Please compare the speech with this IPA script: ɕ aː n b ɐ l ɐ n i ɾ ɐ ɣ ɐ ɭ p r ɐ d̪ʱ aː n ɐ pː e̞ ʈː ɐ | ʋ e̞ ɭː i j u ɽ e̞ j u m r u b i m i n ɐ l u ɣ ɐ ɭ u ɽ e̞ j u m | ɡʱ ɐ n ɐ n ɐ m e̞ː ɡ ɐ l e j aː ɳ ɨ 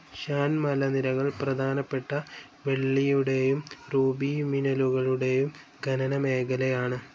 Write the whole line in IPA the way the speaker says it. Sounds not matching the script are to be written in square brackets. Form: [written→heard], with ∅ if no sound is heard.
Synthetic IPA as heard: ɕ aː n [b→m] ɐ l ɐ n i ɾ ɐ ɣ ɐ ɭ p r ɐ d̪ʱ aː n ɐ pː e̞ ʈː ɐ | ʋ e̞ ɭː i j u ɽ e̞ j u m r [u→uː] b i m i n ɐ l u ɣ ɐ ɭ u ɽ e̞ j u m | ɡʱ ɐ n ɐ n ɐ m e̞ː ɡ ɐ l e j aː ɳ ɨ